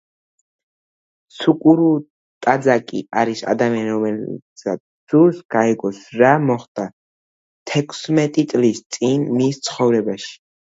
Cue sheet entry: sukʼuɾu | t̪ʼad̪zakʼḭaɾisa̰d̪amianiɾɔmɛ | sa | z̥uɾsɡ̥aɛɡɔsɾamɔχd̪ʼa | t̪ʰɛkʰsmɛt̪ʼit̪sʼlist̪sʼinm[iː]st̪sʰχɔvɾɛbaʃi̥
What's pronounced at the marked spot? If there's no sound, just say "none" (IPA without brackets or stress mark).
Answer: i